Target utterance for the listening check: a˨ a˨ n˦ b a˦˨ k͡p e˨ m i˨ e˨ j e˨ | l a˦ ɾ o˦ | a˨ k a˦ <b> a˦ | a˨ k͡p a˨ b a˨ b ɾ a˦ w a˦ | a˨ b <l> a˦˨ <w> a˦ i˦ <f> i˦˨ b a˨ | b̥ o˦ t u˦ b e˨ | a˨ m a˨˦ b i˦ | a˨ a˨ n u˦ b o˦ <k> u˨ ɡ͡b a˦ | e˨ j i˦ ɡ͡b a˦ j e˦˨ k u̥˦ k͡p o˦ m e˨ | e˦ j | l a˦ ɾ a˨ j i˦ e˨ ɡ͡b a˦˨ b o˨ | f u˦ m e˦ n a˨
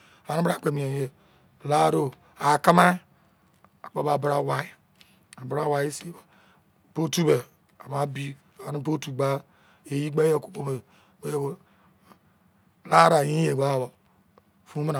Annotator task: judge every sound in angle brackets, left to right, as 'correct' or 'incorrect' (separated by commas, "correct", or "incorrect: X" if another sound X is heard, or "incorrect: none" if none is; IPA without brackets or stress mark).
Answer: incorrect: m, incorrect: ɾ, correct, incorrect: s, incorrect: t